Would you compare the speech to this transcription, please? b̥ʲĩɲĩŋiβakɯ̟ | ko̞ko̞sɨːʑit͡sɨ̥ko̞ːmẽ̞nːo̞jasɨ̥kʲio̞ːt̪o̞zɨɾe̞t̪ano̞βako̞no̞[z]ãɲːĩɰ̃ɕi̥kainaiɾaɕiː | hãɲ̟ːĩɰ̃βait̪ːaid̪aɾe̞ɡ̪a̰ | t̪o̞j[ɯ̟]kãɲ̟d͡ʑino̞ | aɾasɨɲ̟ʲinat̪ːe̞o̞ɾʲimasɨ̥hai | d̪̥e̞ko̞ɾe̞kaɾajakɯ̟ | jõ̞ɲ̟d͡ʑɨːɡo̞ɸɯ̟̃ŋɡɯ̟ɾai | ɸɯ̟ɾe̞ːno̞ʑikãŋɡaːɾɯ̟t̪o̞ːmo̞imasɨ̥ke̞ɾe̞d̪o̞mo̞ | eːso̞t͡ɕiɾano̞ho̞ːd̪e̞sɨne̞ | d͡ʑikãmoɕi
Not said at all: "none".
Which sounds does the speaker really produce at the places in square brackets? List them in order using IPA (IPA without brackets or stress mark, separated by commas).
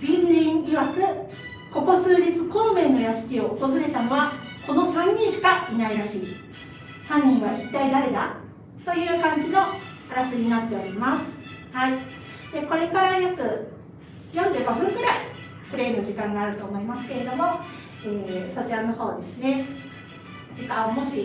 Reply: s, ɯ̟ː